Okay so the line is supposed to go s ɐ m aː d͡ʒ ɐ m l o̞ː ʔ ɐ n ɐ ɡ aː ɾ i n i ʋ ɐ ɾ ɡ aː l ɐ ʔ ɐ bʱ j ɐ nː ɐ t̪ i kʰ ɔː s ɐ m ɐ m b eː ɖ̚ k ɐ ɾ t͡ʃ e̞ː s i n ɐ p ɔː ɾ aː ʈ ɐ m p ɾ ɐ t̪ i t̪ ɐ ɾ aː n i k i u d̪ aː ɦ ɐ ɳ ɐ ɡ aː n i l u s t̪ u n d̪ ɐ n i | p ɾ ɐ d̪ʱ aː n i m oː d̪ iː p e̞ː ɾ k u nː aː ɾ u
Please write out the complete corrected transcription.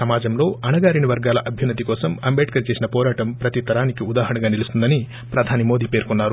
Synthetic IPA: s ɐ m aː d͡ʒ ɐ m l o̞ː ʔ ɐ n ɐ ɡ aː ɾ i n i ʋ ɐ ɾ ɡ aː l ɐ ʔ ɐ bʱ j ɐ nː ɐ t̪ i k ɔː s ɐ m ɐ m b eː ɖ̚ k ɐ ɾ t͡ʃ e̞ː s i n ɐ p ɔː ɾ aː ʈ ɐ m p ɾ ɐ t̪ i t̪ ɐ ɾ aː n i k i u d̪ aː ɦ ɐ ɳ ɐ ɡ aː n i l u s t̪ u n d̪ ɐ n i | p ɾ ɐ d̪ʱ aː n i m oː d̪ iː p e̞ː ɾ k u nː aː ɾ u